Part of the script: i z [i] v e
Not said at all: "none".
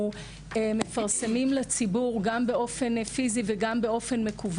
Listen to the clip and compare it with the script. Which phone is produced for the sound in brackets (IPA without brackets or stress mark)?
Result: i